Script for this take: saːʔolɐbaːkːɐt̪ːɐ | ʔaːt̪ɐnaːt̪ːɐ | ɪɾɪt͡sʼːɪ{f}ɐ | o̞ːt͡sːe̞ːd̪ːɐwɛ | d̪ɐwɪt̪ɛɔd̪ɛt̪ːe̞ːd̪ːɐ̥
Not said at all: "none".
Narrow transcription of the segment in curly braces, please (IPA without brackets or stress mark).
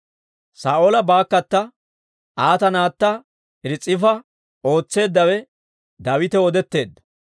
f